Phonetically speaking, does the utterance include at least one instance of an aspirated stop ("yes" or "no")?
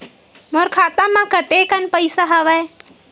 yes